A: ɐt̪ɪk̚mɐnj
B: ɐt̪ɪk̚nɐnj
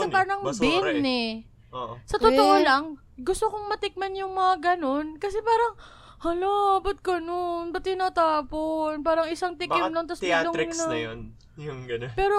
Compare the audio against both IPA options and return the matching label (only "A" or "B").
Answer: A